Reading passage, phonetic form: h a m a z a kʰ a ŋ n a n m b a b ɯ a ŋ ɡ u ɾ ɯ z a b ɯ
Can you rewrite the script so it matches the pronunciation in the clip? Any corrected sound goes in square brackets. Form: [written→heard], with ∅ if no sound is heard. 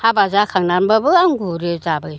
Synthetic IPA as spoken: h a [m→b] a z a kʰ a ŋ n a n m b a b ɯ a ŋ ɡ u ɾ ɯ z a b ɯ